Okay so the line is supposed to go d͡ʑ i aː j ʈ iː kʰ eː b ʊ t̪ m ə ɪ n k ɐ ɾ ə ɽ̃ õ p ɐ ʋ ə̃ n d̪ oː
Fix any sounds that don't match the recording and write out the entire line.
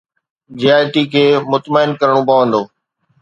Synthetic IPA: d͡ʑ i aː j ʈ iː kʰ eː m ʊ t̪ m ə ɪ n k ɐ ɾ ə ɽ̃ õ p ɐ ʋ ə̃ n d̪ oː